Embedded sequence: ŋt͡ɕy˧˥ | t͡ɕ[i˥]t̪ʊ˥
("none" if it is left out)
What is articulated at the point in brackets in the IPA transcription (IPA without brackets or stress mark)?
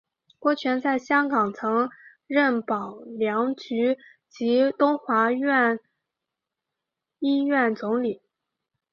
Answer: i˧˥